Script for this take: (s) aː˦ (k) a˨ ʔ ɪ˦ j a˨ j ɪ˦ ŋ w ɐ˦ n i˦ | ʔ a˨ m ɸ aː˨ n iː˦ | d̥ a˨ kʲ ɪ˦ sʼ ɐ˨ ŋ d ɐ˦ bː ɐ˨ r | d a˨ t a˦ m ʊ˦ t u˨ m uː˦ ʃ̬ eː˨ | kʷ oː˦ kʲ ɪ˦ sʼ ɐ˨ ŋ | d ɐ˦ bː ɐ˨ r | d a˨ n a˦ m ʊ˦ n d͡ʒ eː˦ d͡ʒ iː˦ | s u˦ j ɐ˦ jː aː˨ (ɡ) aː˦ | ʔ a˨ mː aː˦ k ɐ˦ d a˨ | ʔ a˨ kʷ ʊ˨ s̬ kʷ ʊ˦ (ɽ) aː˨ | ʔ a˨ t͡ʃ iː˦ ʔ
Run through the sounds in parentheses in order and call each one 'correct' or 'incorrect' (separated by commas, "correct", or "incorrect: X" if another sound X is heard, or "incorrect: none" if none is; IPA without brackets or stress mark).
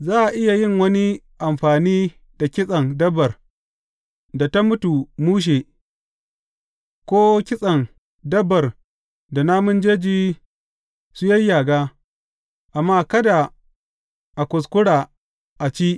incorrect: z, incorrect: ʔ, correct, correct